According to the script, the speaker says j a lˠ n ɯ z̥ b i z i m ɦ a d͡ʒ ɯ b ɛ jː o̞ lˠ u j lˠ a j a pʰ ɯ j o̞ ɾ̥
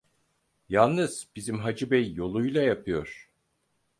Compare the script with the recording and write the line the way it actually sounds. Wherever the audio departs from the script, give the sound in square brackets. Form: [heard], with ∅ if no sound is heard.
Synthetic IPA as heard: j a lˠ n ɯ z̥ b i z i m ɦ a d͡ʒ ɯ b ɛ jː o̞ lˠ u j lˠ a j a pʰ ɯ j o̞ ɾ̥